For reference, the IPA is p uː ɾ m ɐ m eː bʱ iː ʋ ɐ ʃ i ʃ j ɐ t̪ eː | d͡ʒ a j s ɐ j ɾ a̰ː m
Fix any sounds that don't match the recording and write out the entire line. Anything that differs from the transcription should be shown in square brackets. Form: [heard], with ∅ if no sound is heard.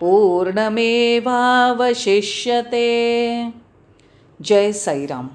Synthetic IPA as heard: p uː ɾ [ɳ] ɐ m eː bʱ [aː] ʋ ɐ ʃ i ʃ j ɐ t̪ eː | d͡ʒ [ɐ] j s ɐ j ɾ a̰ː m